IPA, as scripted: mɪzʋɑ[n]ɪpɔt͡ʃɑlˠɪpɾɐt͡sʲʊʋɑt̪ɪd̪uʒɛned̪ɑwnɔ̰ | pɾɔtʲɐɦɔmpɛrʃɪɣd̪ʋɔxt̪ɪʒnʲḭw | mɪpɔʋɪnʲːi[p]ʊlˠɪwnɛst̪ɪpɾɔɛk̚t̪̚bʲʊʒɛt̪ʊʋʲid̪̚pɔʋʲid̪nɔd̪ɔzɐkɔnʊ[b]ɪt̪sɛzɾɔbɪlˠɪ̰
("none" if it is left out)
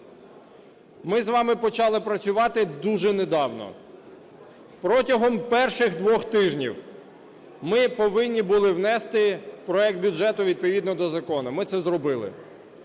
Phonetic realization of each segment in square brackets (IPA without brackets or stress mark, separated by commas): m, b, m